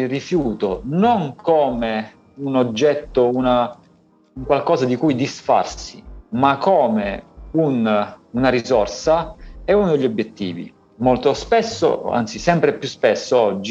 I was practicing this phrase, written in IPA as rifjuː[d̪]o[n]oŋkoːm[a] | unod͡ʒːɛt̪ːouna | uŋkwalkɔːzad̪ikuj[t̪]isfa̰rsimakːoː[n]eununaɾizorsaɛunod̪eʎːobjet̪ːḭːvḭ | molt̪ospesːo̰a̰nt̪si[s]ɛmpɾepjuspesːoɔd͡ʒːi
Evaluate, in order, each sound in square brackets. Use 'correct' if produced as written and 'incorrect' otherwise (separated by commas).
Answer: incorrect, correct, incorrect, incorrect, incorrect, correct